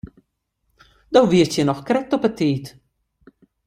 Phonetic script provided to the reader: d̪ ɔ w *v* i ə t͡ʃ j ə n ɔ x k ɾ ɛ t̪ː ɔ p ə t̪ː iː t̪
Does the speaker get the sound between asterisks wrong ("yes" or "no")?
no